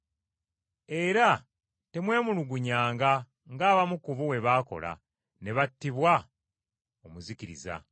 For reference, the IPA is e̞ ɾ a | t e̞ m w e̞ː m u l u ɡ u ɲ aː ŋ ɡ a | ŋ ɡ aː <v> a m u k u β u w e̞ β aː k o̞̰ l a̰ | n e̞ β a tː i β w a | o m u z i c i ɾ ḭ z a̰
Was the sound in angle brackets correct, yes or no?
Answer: no